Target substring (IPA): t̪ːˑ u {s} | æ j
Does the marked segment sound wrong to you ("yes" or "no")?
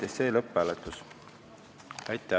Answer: no